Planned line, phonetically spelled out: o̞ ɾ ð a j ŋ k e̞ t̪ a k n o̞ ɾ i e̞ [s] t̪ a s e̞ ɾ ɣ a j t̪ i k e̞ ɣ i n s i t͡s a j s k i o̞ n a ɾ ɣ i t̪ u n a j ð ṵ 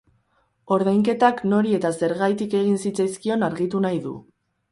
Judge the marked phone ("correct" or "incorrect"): incorrect